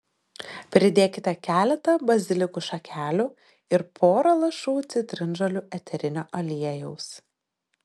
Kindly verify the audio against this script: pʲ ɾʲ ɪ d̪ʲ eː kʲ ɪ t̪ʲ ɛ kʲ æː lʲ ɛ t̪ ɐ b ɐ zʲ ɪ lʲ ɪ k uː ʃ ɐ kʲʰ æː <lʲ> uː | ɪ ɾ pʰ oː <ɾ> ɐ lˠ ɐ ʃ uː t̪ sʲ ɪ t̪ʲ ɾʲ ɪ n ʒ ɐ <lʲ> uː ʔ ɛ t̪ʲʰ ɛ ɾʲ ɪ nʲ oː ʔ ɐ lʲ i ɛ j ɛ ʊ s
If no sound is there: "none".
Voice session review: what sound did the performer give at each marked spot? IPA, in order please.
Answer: lʲ, ɾ, lʲ

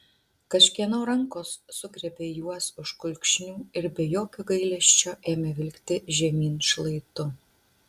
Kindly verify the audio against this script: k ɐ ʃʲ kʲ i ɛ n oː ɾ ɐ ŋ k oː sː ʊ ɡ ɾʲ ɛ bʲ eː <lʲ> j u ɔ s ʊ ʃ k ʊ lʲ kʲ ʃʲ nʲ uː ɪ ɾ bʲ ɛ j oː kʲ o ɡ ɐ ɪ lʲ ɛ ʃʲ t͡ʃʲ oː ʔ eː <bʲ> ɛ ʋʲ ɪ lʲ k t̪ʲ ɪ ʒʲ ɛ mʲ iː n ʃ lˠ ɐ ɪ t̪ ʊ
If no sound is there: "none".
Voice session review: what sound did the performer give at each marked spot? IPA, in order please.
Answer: none, mʲ

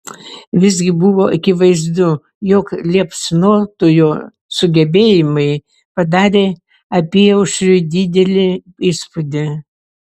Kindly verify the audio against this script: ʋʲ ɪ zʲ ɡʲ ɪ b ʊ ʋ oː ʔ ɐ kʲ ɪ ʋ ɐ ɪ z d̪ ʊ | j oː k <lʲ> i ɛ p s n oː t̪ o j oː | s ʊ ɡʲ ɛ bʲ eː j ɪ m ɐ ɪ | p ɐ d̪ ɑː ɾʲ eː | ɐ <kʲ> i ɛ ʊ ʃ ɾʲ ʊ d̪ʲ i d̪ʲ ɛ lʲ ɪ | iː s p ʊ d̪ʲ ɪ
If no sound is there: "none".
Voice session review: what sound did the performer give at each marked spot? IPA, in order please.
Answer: lʲ, pʲ

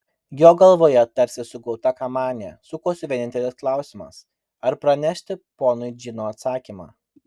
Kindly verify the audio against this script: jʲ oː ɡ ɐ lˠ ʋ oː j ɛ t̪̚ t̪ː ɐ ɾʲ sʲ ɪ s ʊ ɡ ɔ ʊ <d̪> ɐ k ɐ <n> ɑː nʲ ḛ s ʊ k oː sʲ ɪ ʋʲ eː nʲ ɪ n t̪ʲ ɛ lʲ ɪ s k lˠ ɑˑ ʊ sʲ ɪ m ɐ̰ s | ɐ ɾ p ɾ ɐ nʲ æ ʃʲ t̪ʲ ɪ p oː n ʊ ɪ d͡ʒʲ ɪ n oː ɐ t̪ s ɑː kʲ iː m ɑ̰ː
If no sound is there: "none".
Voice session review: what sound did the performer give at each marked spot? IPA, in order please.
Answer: t̪, m

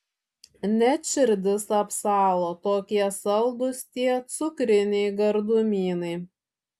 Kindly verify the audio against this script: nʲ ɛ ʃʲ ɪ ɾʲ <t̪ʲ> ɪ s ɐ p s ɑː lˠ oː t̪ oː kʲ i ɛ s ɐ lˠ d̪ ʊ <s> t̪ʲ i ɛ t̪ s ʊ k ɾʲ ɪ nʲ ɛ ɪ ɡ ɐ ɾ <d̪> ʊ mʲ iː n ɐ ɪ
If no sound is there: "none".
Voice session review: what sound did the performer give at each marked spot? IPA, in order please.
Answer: d̪ʲ, s, d̪

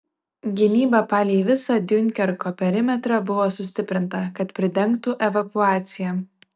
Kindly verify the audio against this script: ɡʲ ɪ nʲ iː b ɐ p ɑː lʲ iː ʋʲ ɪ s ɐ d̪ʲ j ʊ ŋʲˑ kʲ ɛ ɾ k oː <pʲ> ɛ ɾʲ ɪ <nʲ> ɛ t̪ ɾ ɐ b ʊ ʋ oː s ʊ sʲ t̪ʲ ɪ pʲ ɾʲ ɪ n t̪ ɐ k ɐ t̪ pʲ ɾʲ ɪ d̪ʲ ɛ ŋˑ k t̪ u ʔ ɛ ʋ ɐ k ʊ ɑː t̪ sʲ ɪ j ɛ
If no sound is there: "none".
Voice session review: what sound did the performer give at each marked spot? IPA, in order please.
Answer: pʲ, mʲ

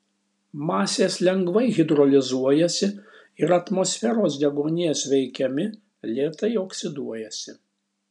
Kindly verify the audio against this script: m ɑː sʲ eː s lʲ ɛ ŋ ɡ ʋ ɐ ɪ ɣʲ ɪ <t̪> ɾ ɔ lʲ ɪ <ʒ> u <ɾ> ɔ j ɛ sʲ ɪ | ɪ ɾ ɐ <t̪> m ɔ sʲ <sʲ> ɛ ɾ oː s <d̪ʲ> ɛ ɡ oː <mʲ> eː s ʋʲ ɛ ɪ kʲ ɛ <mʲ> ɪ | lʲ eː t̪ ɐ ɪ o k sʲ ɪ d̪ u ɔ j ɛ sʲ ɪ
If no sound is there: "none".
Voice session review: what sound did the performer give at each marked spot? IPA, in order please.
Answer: d̪, z, none, t̪, fʲ, d̪ʲ, nʲ, mʲ

